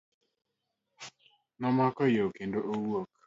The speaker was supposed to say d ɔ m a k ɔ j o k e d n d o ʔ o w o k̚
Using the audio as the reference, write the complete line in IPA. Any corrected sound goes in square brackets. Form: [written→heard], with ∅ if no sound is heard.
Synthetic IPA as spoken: [d→n] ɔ m a k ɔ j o k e [d→∅] n d o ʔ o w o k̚